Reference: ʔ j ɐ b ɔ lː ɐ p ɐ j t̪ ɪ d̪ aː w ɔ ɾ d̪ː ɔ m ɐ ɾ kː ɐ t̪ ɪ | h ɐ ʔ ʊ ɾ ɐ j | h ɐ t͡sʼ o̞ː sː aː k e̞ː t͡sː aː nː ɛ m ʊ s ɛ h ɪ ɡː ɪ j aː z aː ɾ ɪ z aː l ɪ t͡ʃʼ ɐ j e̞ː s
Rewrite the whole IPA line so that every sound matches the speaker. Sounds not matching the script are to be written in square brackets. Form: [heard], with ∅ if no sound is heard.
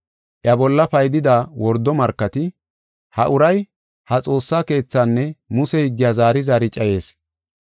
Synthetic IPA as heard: ʔ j ɐ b ɔ lː ɐ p ɐ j [d̪] ɪ d̪ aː w ɔ ɾ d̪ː ɔ m ɐ ɾ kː ɐ t̪ ɪ | h ɐ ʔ ʊ ɾ ɐ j | h ɐ t͡sʼ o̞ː sː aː k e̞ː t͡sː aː nː ɛ m ʊ s ɛ h ɪ ɡː ɪ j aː z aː ɾ ɪ z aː [ɾ] ɪ t͡ʃʼ ɐ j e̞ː s